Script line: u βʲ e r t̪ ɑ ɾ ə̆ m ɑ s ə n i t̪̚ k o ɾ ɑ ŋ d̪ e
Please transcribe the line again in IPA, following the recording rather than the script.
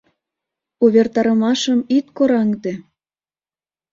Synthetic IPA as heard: u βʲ e r t̪ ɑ ɾ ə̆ m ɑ ʃ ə m i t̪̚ k o ɾ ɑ ŋ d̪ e